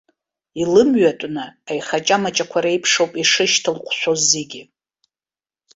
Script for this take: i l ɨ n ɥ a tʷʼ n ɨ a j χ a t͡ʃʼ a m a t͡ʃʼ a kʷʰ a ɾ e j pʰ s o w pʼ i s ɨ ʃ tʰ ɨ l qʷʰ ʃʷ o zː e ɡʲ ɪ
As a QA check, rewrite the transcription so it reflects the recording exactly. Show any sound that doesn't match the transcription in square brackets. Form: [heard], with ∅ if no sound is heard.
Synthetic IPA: i l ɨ [m] ɥ a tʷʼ n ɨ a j χ a t͡ʃʼ a m a t͡ʃʼ a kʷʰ a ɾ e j pʰ [ʂ] o w pʼ i [ʂ] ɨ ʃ tʰ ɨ l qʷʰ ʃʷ o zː e ɡʲ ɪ